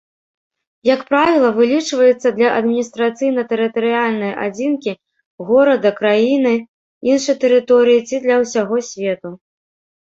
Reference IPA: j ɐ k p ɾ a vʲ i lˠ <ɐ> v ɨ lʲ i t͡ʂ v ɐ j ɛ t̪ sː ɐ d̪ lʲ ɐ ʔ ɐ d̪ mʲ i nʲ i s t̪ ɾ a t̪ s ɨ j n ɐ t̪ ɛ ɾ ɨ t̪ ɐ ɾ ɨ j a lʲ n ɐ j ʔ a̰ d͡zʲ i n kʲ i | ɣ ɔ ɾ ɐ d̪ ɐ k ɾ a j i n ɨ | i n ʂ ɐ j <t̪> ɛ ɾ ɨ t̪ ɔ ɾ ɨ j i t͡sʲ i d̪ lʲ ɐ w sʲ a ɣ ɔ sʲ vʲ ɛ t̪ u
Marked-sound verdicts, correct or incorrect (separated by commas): correct, correct